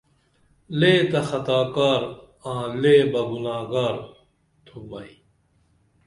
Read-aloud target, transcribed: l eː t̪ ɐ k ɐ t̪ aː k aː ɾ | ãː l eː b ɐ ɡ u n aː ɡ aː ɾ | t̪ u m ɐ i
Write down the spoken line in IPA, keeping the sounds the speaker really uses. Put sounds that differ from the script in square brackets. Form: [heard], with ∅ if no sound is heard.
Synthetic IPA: l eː t̪ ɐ [x] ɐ t̪ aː k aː ɾ | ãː l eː b ɐ ɡ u n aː ɡ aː ɾ | [t̪ʰ] u m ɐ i